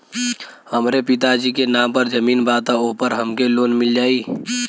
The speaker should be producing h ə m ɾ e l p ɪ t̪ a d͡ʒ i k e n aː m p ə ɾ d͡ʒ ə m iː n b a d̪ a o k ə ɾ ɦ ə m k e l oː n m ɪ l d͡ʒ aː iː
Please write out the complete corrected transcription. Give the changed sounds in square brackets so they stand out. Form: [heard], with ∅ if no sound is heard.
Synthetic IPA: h ə m ɾ e [∅] p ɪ t̪ a d͡ʒ i k e n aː m p ə ɾ d͡ʒ ə m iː n b a [t̪] a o [p] ə ɾ ɦ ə m k e l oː n m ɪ l d͡ʒ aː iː